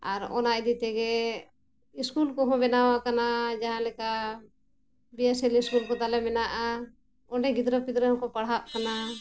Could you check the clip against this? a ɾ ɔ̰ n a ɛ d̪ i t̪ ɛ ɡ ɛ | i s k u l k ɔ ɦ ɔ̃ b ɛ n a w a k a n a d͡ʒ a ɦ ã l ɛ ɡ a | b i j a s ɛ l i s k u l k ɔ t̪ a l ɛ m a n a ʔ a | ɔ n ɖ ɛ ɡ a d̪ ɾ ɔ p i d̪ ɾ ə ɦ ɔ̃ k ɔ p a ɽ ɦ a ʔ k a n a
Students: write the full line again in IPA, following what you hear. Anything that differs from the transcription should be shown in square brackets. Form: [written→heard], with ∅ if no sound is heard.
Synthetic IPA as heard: a ɾ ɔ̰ n a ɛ d̪ i t̪ ɛ ɡ ɛ | i s k u l k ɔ ɦ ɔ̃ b ɛ n a w a k a n a d͡ʒ a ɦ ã l ɛ [ɡ→k] a | b i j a s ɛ l i s k u l k ɔ t̪ a l ɛ m [a→ɛ] n a ʔ a | ɔ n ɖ ɛ ɡ [a→i] d̪ ɾ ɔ p i d̪ ɾ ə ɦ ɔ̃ k ɔ p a ɽ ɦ a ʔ k a n a